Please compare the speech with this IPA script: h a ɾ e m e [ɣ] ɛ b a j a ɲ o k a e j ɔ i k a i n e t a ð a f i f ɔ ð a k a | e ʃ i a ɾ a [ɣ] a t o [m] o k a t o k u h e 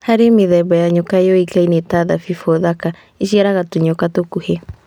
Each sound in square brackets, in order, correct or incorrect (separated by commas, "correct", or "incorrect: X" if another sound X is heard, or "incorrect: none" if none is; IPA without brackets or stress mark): incorrect: ð, correct, incorrect: ɲ